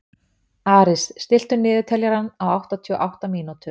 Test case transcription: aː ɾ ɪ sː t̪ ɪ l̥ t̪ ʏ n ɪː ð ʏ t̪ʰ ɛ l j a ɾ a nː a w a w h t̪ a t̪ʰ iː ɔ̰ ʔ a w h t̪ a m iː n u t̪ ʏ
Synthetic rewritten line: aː ɾ ɪ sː t̪ ɪ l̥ t̪ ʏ n ɪː ð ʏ t̪ʰ ɛ l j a ɾ a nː a w a w h t̪ a t̪ʰ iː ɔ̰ ʔ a w h t̪ a m iː n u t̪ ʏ